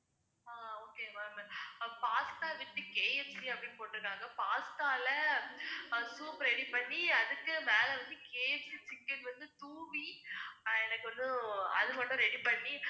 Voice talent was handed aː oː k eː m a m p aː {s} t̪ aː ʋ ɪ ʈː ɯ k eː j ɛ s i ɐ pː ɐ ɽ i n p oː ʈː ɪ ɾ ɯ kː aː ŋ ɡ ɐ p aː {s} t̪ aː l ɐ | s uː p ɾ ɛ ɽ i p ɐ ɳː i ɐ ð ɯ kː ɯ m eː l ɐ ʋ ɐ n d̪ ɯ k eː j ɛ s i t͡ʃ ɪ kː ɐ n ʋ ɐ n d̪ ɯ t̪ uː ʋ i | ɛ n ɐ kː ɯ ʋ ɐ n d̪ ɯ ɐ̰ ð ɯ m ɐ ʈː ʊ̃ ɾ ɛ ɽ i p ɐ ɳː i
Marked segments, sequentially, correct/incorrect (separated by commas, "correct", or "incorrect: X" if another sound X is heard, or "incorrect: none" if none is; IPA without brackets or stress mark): correct, correct